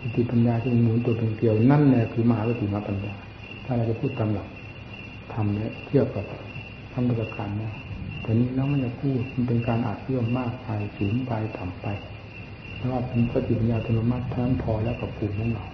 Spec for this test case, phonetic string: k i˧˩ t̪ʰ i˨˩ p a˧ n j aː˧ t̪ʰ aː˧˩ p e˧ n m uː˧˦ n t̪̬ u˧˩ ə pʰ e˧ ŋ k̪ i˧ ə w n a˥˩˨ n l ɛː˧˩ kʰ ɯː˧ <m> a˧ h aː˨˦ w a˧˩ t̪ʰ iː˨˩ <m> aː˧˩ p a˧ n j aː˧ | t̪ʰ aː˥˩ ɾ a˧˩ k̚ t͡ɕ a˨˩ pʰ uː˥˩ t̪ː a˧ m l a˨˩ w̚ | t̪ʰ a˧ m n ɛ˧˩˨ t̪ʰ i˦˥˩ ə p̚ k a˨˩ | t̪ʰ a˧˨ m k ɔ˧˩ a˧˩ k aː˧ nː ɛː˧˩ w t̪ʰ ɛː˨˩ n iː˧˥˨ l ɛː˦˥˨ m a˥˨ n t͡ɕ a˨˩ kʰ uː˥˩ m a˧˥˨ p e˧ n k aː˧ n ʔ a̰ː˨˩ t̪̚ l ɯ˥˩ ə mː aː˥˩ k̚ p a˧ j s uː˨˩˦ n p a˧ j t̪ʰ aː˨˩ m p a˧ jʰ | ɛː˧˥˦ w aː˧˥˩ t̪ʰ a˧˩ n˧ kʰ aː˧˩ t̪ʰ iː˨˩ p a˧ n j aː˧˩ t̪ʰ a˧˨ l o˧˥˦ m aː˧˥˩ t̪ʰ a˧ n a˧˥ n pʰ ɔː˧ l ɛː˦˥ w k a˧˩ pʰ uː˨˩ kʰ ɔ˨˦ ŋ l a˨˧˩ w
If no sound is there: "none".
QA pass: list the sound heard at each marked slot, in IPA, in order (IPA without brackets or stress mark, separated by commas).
m, m